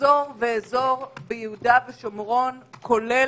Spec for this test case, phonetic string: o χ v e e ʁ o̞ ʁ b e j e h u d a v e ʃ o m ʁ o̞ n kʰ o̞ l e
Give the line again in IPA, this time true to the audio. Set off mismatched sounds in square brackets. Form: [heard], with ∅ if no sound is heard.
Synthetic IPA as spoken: o [ʁ] v e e [z] o̞ ʁ b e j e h u d a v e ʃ o m ʁ o̞ n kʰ o̞ l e